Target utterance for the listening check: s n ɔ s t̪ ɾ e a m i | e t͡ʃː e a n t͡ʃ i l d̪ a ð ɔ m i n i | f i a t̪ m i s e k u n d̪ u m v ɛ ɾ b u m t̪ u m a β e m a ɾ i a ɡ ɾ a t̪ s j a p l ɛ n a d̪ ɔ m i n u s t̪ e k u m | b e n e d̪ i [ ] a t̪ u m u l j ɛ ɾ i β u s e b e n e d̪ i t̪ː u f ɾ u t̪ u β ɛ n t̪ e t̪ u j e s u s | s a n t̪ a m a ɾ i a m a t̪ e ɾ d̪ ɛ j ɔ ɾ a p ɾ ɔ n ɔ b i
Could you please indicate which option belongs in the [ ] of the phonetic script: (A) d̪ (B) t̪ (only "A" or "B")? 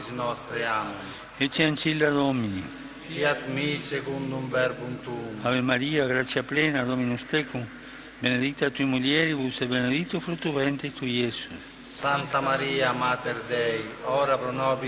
B